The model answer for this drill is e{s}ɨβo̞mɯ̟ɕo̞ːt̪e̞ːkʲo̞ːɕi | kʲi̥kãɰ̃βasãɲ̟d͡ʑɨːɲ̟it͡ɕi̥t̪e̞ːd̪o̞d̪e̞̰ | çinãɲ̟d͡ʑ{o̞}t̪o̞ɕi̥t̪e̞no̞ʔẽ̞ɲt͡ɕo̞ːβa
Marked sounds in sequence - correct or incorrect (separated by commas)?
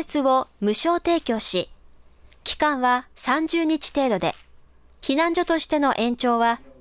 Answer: incorrect, correct